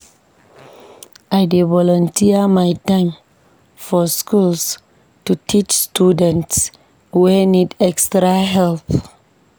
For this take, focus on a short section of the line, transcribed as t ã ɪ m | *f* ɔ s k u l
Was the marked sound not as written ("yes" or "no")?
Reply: no